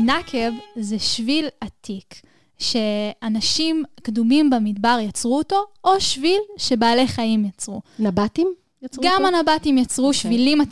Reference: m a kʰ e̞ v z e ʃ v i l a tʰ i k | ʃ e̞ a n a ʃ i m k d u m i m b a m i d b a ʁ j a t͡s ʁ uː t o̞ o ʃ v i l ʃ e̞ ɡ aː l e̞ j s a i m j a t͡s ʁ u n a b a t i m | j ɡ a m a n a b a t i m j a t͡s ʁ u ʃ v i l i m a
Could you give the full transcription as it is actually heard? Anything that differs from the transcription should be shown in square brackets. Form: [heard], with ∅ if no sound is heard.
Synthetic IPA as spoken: [n] a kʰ e̞ v z e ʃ v i l a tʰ i k | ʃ e̞ a n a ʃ i m k d u m i m b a m i d b a ʁ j a t͡s ʁ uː t o̞ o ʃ v i l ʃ e̞ [b] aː l e̞ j [χ] a i m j a t͡s ʁ u n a b a t i m | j ɡ a m a n a b a t i m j a t͡s ʁ u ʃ v i l i m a